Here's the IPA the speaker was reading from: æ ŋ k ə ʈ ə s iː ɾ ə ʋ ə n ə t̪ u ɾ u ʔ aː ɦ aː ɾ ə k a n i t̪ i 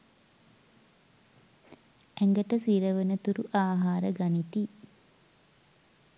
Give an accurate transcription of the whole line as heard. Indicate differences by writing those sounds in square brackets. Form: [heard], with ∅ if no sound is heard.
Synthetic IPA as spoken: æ ŋ [ɡ] ə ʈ ə s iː ɾ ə ʋ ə n ə t̪ u ɾ u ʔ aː ɦ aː ɾ ə [ɡ] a n i t̪ i